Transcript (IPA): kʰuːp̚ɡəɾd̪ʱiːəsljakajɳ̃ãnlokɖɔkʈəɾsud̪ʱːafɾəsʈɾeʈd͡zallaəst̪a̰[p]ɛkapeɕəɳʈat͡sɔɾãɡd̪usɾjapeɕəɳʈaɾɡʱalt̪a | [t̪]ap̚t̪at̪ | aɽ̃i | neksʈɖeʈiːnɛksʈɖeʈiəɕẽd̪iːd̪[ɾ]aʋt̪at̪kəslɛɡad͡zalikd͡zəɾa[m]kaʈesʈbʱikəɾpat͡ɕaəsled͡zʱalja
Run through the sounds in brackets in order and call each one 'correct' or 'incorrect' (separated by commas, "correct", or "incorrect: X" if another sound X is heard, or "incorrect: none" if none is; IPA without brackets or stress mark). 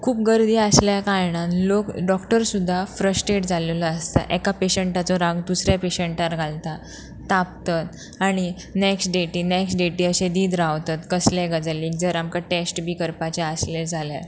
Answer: incorrect: ʔ, correct, correct, correct